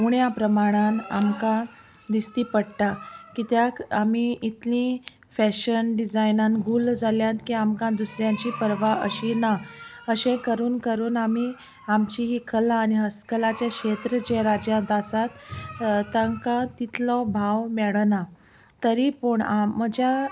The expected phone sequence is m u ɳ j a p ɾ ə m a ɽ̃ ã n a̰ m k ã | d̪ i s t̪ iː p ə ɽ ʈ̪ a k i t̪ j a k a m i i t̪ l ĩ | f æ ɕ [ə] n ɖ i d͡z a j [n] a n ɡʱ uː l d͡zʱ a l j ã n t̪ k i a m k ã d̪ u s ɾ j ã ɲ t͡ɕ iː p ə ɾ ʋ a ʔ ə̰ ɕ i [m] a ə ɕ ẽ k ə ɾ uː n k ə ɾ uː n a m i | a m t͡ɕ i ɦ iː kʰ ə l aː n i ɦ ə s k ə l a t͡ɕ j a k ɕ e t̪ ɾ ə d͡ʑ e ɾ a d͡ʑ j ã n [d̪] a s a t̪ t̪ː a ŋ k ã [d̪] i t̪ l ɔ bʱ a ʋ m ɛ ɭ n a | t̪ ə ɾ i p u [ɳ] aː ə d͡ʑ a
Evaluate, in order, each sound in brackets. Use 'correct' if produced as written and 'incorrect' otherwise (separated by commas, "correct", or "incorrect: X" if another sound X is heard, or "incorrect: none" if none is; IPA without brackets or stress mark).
correct, correct, incorrect: n, incorrect: t̪, incorrect: t̪, correct